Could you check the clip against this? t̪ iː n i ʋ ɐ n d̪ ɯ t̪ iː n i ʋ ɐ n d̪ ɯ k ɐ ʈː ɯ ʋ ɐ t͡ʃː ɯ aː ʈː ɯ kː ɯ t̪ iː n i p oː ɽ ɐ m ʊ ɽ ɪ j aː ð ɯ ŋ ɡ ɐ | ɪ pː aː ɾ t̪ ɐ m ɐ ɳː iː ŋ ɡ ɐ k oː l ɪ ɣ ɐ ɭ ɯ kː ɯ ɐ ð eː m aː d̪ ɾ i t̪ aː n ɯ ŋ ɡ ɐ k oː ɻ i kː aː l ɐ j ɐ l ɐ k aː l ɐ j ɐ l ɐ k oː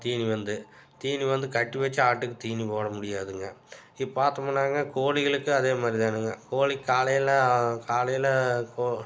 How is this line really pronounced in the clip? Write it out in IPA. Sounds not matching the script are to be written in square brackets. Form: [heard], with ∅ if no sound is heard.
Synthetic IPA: t̪ iː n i ʋ ɐ n d̪ ɯ t̪ iː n i ʋ ɐ n d̪ ɯ k ɐ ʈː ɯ ʋ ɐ t͡ʃː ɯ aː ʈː ɯ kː ɯ t̪ iː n i p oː ɽ ɐ m ʊ ɽ ɪ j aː ð ɯ ŋ ɡ ɐ | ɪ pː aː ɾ t̪ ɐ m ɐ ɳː [aː] ŋ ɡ ɐ k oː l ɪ ɣ ɐ ɭ ɯ kː ɯ ɐ ð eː m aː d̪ ɾ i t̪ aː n ɯ ŋ ɡ ɐ k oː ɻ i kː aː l ɐ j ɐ l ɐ k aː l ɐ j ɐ l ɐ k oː